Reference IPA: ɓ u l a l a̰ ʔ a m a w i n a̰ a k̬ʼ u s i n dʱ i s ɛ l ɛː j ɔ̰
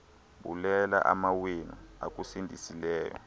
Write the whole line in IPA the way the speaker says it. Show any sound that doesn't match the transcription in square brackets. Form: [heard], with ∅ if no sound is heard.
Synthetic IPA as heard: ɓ u l [ɛ] l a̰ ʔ a m a w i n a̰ a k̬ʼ u s i n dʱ i s [i] l ɛː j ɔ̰